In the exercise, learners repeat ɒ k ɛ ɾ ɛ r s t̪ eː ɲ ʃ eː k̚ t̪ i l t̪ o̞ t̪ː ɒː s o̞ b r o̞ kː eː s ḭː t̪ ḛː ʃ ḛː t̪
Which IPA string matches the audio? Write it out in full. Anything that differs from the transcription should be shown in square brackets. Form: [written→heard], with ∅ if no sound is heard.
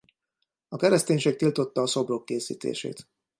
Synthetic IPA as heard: ɒ k ɛ ɾ ɛ [r→∅] s t̪ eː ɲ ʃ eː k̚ t̪ i l t̪ o̞ t̪ː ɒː s o̞ b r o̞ kː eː s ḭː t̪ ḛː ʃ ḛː t̪